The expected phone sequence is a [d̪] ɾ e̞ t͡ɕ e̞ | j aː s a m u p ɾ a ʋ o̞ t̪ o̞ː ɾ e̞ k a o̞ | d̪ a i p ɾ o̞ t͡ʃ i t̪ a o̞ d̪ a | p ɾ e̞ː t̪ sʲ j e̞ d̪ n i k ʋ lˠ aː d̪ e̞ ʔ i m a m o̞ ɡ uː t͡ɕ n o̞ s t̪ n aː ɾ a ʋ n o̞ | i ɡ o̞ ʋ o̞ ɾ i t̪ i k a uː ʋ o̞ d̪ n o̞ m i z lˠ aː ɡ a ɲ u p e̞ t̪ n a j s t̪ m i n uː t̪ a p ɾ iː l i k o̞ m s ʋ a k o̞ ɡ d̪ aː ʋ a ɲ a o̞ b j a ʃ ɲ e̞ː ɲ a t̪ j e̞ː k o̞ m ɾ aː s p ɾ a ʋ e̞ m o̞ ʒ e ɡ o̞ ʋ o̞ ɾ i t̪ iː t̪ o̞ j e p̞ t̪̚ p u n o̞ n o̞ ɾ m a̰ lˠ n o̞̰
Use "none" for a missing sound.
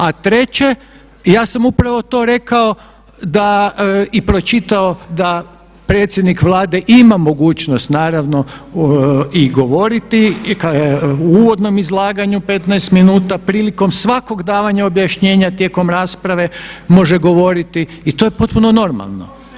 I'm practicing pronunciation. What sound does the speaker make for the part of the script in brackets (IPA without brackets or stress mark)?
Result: t̪